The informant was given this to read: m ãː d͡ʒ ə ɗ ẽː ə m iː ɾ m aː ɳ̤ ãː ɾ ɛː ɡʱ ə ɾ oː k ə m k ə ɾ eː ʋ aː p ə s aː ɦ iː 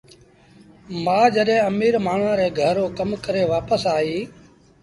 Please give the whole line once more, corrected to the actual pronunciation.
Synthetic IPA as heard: m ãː d͡ʒ ə ɗ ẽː ə m iː ɾ m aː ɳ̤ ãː ɾ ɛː ɡʱ ə ɾ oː k ə m k ə ɾ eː ʋ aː p ə s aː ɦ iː

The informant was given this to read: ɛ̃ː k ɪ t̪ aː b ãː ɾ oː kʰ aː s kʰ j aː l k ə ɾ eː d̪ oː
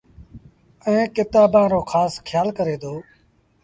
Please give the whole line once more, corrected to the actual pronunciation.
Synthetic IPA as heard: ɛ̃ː k ɪ t̪ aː b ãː ɾ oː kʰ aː s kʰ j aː l k ə ɾ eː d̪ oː

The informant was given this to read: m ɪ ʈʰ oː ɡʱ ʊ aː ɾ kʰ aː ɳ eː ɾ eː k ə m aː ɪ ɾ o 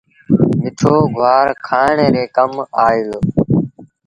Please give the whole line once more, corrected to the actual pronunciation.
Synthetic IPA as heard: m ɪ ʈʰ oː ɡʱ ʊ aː ɾ kʰ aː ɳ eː ɾ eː k ə m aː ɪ l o

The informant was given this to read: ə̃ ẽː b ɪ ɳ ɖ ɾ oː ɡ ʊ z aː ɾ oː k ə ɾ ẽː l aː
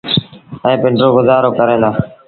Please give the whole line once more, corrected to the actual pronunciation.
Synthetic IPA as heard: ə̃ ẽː p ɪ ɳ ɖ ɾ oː ɡ ʊ z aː ɾ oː k ə ɾ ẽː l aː

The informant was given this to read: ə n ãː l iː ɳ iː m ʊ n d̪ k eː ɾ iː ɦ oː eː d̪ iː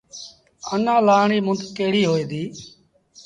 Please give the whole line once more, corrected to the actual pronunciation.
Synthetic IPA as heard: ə n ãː l aː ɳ iː m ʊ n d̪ k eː ɽ iː ɦ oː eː d̪ iː

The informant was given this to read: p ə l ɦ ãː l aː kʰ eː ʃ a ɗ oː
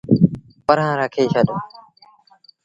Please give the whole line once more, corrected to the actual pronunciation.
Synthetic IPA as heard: p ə ɾ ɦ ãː ɾ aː kʰ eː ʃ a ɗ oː

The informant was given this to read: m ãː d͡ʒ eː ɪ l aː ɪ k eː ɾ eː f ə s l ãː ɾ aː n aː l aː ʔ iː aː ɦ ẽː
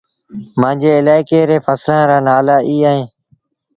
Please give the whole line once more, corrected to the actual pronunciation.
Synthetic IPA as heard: m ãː d͡ʒ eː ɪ l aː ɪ k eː ɾ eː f ə s l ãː ɾ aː n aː l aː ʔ iː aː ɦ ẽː

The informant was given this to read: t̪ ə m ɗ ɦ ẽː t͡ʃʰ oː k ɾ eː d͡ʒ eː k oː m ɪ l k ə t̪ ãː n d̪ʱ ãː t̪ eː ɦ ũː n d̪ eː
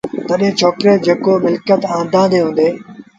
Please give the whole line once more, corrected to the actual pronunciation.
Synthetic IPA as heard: t̪ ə ɗ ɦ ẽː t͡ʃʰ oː k ɾ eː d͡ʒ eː k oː m ɪ l k ə t̪ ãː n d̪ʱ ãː d̪ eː ɦ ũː n d̪ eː

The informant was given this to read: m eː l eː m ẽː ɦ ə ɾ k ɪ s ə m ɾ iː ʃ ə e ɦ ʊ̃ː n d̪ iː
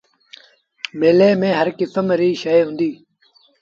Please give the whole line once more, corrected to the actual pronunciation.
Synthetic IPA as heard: m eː l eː m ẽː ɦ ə ɾ k ɪ s ə m ɾ iː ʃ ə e ɦ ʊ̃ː n d̪ iː

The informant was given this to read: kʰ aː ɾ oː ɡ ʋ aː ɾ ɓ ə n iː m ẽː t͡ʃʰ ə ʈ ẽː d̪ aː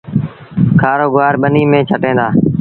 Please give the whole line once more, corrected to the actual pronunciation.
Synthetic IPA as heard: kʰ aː ɾ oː ɡ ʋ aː ɾ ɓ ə n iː m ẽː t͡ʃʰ ə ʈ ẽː d̪ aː

